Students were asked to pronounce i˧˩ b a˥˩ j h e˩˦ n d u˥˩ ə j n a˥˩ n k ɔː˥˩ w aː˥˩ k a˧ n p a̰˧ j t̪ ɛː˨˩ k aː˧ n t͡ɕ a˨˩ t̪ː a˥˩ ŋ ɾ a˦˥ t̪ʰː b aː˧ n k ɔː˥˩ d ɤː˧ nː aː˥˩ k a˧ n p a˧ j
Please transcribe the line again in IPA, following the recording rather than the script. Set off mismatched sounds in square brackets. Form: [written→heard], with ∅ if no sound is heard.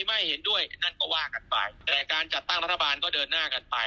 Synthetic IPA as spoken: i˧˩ [b→m] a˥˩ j h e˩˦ n d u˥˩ ə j n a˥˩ n k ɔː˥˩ w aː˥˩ k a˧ n p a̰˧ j t̪ ɛː˨˩ k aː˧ n t͡ɕ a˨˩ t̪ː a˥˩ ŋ ɾ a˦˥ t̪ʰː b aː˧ n k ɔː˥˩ d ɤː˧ nː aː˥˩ k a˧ n p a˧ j

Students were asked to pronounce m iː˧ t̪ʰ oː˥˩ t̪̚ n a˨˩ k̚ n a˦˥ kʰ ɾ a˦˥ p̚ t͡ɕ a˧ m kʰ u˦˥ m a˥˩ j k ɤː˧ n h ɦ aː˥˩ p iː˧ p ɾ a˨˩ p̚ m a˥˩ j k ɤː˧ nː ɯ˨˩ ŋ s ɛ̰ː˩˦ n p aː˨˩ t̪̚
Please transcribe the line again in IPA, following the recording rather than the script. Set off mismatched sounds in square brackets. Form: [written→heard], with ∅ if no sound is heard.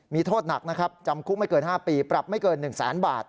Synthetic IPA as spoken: m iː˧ t̪ʰ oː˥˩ t̪̚ n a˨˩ k̚ n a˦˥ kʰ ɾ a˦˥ p̚ t͡ɕ a˧ m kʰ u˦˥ m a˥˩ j k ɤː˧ n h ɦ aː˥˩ p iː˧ p ɾ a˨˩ p̚ m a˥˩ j k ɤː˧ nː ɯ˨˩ ŋ s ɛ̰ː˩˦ n [p→b] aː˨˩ t̪̚

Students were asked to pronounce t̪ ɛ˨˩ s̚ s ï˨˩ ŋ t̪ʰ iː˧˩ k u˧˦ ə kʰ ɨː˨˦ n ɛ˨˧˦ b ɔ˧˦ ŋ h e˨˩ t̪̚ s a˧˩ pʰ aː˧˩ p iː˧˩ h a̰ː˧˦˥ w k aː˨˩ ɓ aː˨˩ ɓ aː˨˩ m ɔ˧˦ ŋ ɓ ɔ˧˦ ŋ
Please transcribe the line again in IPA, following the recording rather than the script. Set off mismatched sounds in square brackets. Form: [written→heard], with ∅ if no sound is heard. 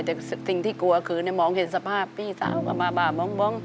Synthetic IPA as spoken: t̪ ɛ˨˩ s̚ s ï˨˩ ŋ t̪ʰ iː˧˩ k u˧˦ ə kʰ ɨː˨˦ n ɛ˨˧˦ [b→m] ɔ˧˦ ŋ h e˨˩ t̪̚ s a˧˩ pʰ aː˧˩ p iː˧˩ [h→s] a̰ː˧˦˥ w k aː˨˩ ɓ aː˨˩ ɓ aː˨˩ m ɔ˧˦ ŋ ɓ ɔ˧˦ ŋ

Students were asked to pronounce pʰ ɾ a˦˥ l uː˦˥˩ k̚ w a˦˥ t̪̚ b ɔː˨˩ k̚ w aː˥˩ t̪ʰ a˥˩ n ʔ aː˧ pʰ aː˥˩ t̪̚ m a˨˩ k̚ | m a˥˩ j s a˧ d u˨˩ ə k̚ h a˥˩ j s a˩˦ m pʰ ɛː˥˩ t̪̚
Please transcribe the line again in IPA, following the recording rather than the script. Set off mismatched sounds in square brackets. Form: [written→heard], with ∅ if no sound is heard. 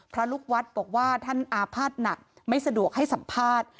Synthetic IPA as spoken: pʰ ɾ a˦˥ l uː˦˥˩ k̚ w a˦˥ t̪̚ b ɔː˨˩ k̚ w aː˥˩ t̪ʰ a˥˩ n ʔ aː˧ pʰ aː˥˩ t̪̚ [m→n] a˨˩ k̚ | m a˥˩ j s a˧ d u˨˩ ə k̚ h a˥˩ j s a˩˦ m pʰ [ɛː˥˩→aː˥˩] t̪̚

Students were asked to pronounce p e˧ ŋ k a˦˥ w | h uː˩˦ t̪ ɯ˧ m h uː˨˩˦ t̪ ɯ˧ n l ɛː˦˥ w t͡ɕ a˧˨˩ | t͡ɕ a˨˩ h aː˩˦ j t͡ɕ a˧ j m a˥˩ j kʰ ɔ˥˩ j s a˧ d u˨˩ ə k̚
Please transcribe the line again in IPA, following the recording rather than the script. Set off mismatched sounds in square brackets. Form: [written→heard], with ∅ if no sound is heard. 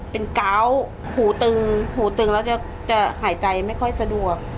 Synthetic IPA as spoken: p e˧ [ŋ→n] k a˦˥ w | h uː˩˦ t̪ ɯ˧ [m→ŋ] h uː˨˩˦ t̪ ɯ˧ [n→ŋ] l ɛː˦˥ w t͡ɕ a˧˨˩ | t͡ɕ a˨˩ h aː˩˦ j t͡ɕ a˧ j m a˥˩ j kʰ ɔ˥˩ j s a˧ d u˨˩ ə k̚

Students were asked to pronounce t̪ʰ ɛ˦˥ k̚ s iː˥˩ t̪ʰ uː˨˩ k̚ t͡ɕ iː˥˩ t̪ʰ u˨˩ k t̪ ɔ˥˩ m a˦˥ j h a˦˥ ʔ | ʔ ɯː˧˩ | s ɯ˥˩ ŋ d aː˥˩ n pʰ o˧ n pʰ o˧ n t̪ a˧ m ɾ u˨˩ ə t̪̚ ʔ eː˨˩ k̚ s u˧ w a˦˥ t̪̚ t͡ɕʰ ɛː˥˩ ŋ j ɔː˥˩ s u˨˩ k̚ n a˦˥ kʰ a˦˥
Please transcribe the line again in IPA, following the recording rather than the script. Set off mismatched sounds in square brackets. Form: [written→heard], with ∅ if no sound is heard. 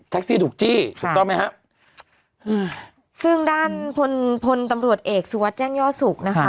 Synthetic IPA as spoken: t̪ʰ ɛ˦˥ k̚ s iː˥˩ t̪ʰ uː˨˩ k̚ t͡ɕ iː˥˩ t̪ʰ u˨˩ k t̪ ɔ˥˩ m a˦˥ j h a˦˥ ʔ | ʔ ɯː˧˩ | s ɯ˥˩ ŋ d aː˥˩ n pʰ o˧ n pʰ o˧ n t̪ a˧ m ɾ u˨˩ ə t̪̚ ʔ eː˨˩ k̚ s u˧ w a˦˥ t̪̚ [t͡ɕʰ→t͡ɕ] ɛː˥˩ ŋ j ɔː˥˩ s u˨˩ k̚ n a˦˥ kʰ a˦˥

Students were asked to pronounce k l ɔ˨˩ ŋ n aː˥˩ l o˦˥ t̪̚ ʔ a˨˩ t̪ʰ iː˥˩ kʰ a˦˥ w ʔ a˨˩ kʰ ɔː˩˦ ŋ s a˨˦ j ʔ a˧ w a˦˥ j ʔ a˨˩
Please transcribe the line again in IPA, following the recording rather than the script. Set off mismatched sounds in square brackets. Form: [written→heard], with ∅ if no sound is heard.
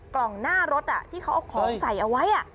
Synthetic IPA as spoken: k l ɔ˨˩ ŋ n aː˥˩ [l→ɾ] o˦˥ t̪̚ ʔ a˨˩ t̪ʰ iː˥˩ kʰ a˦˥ w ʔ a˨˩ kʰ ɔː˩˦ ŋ s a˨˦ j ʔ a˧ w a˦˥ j ʔ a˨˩

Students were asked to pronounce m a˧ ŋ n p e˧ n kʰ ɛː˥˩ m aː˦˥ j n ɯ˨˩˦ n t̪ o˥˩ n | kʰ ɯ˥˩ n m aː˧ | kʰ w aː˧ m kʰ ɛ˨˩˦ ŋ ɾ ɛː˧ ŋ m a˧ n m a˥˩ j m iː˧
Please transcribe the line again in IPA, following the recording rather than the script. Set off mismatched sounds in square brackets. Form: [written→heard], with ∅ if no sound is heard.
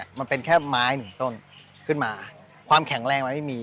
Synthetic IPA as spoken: m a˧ [ŋ→∅] n p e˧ n kʰ ɛː˥˩ m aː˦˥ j n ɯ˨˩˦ [n→ŋ] t̪ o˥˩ n | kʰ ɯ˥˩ n m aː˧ | kʰ w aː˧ m kʰ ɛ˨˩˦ ŋ ɾ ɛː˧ ŋ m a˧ n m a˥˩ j m iː˧

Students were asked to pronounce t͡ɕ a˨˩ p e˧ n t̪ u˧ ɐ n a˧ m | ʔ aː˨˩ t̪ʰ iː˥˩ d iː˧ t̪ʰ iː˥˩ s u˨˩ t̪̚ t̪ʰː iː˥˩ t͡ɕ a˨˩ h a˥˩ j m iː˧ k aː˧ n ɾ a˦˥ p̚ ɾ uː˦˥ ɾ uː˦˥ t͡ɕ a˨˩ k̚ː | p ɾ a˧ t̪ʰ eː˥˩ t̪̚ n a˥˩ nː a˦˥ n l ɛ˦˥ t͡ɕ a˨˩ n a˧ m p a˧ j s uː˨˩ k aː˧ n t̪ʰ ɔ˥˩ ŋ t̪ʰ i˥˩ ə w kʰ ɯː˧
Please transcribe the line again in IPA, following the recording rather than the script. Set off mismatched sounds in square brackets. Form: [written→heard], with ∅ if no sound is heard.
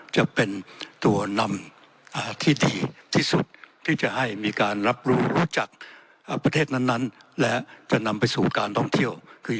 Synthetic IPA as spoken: t͡ɕ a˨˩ p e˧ n t̪ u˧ ɐ n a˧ m | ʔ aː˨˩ t̪ʰ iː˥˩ d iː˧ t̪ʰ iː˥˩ s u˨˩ t̪̚ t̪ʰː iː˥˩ t͡ɕ a˨˩ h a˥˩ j m iː˧ k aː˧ n ɾ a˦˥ p̚ ɾ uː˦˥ ɾ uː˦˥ t͡ɕ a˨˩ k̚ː | p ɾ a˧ t̪ʰ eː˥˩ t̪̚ n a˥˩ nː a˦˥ n l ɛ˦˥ t͡ɕ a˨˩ n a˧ m p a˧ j s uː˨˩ k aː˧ n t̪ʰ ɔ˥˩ ŋ t̪ʰ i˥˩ ə w kʰ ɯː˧

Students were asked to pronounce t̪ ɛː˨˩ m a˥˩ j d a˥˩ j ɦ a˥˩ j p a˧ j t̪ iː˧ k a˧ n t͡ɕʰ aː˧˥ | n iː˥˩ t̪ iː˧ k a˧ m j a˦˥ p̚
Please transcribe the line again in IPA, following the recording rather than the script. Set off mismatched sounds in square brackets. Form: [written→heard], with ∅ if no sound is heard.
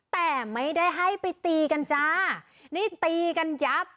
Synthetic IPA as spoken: t̪ ɛː˨˩ m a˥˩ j d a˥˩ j ɦ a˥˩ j p a˧ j t̪ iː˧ k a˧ n [t͡ɕʰ→t͡ɕ] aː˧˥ | n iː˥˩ t̪ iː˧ k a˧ [m→n] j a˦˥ p̚

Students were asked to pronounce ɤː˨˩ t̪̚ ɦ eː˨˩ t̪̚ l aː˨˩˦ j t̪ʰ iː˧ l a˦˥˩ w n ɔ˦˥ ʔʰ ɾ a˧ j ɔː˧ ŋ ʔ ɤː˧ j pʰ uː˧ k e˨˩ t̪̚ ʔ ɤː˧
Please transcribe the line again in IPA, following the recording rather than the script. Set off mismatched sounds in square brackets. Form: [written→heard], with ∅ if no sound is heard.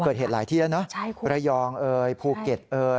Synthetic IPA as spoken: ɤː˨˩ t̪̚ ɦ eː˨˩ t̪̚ l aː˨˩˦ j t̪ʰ [iː˧→iː˥˩] l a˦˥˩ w n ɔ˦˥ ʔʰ ɾ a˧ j ɔː˧ ŋ ʔ ɤː˧ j pʰ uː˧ k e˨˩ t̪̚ ʔ ɤː˧

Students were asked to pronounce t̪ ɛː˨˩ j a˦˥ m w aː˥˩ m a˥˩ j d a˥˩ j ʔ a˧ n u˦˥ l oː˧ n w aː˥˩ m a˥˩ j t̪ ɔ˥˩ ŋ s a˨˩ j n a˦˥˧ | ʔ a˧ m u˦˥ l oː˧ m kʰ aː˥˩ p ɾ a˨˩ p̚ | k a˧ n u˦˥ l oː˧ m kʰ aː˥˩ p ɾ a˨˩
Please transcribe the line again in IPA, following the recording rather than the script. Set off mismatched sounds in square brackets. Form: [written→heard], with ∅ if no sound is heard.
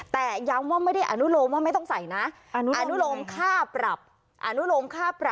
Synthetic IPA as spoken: t̪ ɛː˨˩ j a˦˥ m w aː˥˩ m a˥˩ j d a˥˩ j ʔ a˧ n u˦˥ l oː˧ [n→m] w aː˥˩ m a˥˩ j t̪ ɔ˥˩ ŋ s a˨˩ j n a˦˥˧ | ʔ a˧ [m→n] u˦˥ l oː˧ m kʰ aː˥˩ p ɾ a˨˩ p̚ | [k→ʔ] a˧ n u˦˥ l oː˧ m kʰ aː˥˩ p ɾ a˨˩

